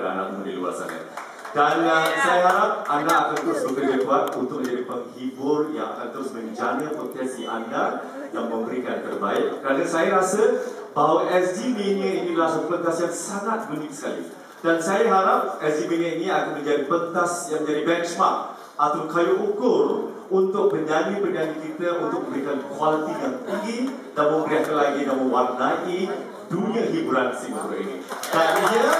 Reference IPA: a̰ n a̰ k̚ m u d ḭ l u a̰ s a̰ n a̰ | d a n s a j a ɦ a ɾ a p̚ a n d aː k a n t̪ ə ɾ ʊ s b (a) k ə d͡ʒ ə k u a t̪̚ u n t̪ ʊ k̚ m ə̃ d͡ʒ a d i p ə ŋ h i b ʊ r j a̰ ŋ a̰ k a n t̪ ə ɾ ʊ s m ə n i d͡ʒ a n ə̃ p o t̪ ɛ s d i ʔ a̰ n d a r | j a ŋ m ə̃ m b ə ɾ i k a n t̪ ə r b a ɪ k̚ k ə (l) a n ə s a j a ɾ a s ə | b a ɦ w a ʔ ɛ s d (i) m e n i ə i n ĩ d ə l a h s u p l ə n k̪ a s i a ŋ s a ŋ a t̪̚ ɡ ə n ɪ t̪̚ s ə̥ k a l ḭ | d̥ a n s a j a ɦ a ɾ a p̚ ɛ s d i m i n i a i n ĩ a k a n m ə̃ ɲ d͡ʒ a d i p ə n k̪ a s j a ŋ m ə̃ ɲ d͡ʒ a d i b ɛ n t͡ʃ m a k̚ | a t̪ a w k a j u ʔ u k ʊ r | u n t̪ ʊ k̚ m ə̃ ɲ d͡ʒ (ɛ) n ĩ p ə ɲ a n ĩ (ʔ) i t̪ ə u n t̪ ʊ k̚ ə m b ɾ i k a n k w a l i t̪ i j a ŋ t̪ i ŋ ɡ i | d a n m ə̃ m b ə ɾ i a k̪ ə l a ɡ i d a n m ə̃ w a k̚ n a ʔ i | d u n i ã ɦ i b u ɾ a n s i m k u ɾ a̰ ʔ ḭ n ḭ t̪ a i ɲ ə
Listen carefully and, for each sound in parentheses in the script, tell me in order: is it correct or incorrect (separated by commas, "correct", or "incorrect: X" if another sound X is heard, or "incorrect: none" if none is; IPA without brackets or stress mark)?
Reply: incorrect: ə, incorrect: ɾ, correct, incorrect: a, incorrect: k